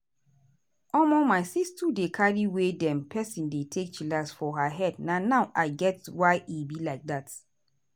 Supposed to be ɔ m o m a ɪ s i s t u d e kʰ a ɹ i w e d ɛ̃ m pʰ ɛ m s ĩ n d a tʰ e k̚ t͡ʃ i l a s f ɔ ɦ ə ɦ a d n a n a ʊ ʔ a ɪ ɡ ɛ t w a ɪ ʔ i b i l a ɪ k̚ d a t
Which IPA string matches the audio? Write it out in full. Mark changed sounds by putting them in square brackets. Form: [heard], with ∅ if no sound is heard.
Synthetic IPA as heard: ɔ m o m a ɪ s i s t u d e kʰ a ɹ i w e d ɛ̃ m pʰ ɛ [∅] s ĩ n d [e] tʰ e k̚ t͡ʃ i l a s f ɔ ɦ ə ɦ [ɛ] d n a n a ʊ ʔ a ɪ ɡ ɛ t w a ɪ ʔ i b i l a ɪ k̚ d a t